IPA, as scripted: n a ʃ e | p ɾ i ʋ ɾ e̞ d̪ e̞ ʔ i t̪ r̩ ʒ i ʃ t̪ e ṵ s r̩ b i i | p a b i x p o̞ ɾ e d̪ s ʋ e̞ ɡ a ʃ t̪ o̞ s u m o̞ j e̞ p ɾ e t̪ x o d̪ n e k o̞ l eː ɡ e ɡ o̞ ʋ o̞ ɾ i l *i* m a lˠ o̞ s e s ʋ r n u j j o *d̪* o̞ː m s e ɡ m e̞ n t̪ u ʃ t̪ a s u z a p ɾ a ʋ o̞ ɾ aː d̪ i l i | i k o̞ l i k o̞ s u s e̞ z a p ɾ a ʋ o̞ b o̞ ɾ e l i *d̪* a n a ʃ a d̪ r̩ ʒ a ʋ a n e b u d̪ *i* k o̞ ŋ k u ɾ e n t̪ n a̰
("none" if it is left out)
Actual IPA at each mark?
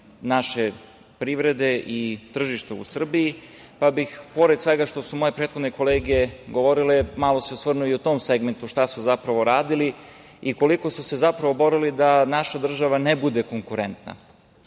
e, t̪, d̪, e

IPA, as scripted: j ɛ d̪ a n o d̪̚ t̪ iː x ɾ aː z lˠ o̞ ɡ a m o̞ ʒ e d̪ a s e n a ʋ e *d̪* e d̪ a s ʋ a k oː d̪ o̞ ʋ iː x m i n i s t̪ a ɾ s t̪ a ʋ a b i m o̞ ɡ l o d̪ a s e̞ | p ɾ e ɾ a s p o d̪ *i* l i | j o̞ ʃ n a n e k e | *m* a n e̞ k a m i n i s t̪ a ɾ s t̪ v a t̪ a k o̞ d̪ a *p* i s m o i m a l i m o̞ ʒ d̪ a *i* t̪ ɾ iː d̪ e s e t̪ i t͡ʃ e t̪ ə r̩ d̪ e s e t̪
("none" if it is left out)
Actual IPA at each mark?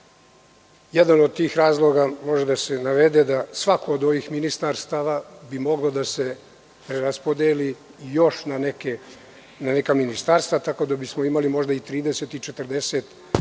d̪, e, n, b, i

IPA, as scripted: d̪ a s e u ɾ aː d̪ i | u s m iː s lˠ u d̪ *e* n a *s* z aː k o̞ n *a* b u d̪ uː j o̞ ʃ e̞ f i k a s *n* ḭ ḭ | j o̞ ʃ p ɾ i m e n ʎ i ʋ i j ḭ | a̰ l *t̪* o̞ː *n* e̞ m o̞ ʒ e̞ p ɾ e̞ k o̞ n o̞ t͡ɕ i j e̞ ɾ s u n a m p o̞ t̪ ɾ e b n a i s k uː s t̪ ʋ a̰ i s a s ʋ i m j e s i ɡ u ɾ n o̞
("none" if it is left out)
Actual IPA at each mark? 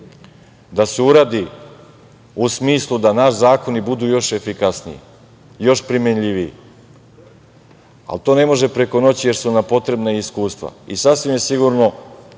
a, ʃ, i, n, t̪, n

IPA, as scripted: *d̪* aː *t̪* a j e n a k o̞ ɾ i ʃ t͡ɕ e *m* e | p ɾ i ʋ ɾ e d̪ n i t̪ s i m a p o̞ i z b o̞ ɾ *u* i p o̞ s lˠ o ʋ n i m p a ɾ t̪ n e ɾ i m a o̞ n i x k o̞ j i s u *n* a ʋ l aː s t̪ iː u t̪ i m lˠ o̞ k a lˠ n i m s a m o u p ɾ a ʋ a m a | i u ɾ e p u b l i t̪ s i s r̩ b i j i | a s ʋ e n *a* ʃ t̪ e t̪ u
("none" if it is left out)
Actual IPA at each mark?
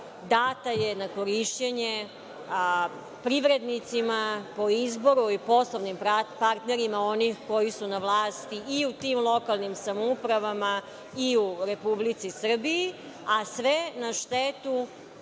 d̪, t̪, ɲ, u, n, a

